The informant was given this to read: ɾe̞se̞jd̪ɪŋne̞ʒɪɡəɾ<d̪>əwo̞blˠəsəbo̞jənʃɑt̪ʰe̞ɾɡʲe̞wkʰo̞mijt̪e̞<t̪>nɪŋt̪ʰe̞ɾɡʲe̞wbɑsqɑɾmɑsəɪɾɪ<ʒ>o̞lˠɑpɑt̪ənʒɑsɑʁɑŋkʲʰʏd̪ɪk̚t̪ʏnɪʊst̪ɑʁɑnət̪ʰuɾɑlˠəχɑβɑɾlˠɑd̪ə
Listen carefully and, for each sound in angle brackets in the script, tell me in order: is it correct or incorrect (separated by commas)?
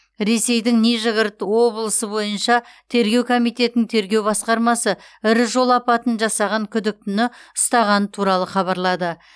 incorrect, correct, correct